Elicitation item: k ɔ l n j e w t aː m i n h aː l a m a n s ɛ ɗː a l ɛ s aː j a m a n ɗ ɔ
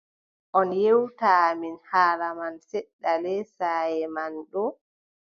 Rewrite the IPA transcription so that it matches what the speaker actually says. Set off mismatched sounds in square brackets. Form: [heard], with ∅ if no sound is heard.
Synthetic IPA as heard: [ʔ] ɔ [∅] n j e w t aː m i n h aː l a m a n s ɛ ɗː a l ɛ s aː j [ɛ] m a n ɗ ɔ

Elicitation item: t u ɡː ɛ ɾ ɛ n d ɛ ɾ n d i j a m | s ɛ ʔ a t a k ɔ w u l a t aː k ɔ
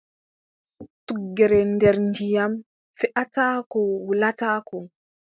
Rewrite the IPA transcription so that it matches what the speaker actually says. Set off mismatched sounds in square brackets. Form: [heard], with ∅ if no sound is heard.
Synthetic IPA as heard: t u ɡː ɛ ɾ ɛ n d ɛ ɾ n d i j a m | [f] ɛ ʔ a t a k ɔ w u l a t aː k ɔ

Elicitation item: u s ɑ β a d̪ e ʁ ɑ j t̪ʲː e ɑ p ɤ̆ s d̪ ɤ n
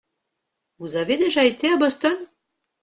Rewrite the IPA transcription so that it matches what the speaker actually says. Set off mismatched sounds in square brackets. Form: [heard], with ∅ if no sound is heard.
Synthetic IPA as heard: u [z] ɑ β [e] d̪ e [ʒ] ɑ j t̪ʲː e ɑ [b] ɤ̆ s [t̪] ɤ n

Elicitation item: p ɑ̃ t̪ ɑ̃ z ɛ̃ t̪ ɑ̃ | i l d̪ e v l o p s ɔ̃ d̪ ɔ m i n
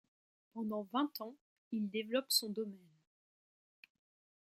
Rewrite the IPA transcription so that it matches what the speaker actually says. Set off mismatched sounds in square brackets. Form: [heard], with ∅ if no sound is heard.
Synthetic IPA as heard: p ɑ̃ [d̪] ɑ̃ [v] ɛ̃ t̪ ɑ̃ | i l d̪ e v l [ɔ] p s ɔ̃ d̪ ɔ m [ɛ] n

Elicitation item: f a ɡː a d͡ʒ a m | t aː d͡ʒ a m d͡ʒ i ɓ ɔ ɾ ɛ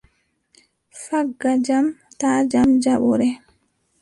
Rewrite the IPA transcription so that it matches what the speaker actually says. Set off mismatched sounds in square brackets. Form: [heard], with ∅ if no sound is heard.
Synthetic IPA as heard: f a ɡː a d͡ʒ a m | t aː d͡ʒ a m d͡ʒ [a] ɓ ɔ ɾ ɛ

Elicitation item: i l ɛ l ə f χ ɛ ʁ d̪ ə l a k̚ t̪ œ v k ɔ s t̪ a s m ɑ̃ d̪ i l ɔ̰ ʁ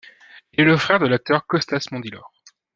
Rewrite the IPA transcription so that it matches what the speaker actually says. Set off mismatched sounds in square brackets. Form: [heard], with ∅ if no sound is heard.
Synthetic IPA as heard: i l ɛ l ə f χ ɛ ʁ d̪ ə l a k̚ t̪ œ [ʁ] k ɔ s t̪ a s m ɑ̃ d̪ i l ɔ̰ ʁ

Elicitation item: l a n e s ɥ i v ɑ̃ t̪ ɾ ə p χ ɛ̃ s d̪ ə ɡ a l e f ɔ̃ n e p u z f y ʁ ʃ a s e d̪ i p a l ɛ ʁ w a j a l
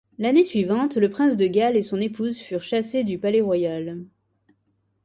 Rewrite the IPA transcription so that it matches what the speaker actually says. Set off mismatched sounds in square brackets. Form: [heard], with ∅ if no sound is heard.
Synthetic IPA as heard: l a n e s ɥ i v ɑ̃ t̪ [l] ə p χ ɛ̃ s d̪ ə ɡ a l e [s] ɔ̃ n e p u z f y ʁ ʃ a s e d̪ [y] p a l ɛ ʁ w a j a l

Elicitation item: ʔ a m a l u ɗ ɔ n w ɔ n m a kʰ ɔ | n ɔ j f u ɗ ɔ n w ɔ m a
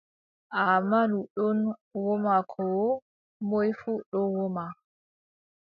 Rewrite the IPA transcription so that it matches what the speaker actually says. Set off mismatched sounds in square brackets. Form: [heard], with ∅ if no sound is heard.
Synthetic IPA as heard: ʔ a m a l u ɗ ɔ n w ɔ [∅] m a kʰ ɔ | [m] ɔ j f u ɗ ɔ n w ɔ m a

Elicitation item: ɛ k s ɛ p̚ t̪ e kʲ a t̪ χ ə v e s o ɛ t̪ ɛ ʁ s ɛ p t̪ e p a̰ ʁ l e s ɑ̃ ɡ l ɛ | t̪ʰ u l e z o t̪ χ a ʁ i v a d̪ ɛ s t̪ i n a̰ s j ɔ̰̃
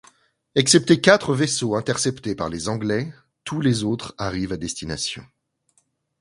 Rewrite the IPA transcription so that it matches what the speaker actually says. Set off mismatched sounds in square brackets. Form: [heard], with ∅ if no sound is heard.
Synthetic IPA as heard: ɛ k s ɛ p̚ t̪ e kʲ a t̪ χ ə v e s o [ɛ̃] t̪ ɛ ʁ s ɛ p t̪ e p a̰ ʁ l e [z] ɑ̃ ɡ l ɛ | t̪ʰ u l e z o t̪ χ a ʁ i v a d̪ ɛ s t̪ i n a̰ s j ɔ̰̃

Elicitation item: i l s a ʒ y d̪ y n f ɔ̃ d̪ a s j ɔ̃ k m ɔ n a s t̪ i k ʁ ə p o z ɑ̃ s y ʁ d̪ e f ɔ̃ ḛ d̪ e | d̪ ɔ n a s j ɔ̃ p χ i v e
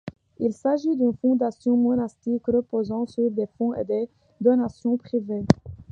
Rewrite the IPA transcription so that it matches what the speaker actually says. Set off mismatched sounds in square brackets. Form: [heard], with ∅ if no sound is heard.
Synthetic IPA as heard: i l s a ʒ [i] d̪ y n f ɔ̃ d̪ a s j ɔ̃ [∅] m ɔ n a s t̪ i k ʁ ə p o z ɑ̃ s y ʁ d̪ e f ɔ̃ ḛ d̪ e | d̪ ɔ n a s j ɔ̃ p χ i v e

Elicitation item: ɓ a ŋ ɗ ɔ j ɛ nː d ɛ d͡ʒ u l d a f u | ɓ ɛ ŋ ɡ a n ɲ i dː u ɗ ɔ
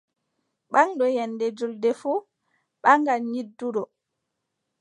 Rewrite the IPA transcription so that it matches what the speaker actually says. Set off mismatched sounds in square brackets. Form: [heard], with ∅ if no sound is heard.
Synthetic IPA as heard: ɓ a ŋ ɗ ɔ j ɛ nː d ɛ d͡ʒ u l d [ɛ] f u | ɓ [a] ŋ ɡ a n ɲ i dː u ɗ ɔ

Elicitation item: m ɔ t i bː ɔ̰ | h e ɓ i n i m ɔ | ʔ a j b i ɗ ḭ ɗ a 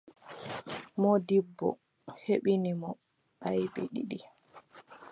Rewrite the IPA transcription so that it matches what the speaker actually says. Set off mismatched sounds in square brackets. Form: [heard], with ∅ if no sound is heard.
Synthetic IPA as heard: m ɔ [d] i bː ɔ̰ | h e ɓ i n i m ɔ | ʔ a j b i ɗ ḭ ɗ [i]

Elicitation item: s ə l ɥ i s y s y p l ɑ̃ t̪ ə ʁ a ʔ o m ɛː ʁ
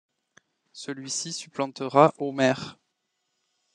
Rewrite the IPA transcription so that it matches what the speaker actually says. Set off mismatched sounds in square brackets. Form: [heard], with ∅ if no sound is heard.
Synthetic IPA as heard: s ə l ɥ i s [i] s y p l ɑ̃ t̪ ə ʁ a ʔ o m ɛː ʁ

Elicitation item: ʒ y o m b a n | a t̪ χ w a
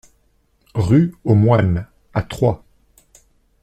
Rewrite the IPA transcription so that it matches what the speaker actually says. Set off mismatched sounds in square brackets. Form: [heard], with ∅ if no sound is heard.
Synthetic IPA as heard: [ʁ] y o m [w] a n | a t̪ χ w a

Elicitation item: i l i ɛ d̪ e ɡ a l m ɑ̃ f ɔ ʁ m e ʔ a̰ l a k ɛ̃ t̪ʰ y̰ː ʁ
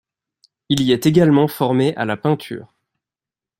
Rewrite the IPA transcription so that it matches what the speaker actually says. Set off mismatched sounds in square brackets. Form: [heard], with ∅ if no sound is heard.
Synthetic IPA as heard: i l i ɛ [t̪] e ɡ a l m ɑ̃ f ɔ ʁ m e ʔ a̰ l a [p] ɛ̃ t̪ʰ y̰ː ʁ

